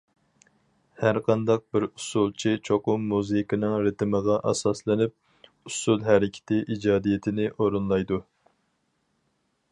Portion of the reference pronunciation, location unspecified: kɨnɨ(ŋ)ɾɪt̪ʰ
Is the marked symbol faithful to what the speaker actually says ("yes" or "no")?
yes